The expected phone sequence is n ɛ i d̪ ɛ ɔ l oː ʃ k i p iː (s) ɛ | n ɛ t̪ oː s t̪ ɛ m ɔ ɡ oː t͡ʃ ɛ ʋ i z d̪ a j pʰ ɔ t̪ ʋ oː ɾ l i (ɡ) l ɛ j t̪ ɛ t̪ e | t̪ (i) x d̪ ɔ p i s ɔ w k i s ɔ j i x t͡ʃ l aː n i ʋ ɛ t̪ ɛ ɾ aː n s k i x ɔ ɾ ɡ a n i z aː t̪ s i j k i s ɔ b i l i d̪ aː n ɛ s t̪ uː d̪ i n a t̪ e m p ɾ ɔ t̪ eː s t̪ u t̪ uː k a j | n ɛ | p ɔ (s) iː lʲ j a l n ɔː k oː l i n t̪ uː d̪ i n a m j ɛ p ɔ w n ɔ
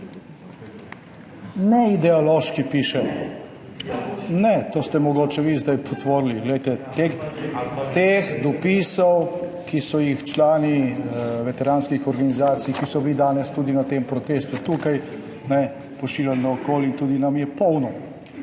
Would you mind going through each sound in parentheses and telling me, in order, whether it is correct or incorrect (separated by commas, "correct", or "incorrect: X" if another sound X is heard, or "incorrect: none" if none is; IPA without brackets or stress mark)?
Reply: incorrect: ʃ, correct, incorrect: e, incorrect: ʃ